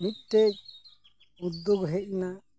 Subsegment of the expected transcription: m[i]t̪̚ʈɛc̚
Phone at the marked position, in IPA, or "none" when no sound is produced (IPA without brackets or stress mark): i